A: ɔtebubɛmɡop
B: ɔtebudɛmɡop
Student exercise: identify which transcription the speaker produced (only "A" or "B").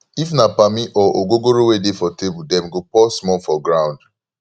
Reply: B